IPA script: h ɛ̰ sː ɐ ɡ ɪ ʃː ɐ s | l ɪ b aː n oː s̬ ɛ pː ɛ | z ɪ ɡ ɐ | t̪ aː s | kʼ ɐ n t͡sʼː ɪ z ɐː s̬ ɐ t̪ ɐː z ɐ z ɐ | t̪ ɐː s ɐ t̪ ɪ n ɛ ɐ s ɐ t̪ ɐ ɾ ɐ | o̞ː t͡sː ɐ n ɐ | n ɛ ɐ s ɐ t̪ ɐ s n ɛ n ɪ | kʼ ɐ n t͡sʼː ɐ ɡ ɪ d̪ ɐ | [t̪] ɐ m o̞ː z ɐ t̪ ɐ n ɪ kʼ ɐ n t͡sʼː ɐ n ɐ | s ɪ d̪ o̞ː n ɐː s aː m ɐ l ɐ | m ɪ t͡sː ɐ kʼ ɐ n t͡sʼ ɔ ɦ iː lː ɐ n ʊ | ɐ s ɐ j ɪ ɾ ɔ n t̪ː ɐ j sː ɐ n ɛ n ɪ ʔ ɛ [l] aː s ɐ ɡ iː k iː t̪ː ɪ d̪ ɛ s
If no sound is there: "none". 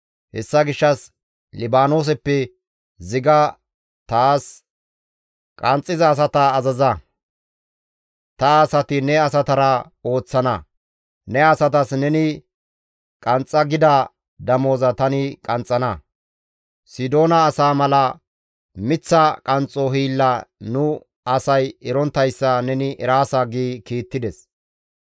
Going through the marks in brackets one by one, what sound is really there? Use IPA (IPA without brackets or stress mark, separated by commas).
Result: d̪, ɾ